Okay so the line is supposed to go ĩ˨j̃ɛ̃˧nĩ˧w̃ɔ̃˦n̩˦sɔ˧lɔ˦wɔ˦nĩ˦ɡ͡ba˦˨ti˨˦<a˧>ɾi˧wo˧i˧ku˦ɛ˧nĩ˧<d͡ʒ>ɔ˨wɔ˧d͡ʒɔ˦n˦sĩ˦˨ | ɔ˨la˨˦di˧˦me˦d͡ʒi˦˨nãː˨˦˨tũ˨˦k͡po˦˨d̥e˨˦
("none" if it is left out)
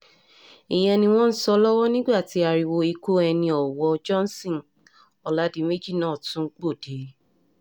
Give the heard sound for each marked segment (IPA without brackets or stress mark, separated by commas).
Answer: a˧, none